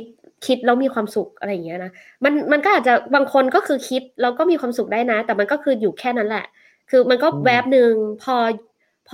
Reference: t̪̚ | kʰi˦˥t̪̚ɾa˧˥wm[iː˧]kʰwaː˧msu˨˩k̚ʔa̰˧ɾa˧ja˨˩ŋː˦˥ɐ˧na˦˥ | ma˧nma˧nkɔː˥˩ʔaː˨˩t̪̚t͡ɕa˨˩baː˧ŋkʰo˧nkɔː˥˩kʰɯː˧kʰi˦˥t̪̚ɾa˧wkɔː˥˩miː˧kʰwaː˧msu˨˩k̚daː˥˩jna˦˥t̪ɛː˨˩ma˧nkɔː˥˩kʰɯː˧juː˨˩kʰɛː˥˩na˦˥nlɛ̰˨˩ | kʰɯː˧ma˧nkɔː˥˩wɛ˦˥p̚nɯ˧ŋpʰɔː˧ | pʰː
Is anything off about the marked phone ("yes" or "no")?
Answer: no